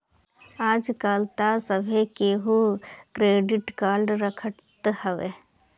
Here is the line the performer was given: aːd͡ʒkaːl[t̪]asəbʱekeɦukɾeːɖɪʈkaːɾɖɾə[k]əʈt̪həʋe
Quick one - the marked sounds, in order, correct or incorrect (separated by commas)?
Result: correct, incorrect